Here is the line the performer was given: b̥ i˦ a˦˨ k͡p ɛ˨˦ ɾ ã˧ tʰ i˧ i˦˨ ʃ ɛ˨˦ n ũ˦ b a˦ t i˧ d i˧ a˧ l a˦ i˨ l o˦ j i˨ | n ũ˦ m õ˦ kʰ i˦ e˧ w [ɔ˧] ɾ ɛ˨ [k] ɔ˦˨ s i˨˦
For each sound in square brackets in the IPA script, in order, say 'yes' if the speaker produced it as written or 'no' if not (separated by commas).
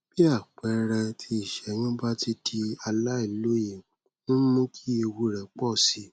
no, no